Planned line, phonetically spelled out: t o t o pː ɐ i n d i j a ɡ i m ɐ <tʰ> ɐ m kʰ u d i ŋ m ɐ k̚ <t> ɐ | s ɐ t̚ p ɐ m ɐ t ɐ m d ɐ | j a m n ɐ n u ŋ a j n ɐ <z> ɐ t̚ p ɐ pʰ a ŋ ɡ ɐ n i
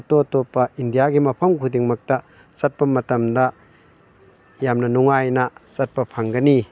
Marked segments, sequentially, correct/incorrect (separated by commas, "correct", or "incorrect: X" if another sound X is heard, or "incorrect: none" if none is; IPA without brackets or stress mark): incorrect: pʰ, correct, incorrect: s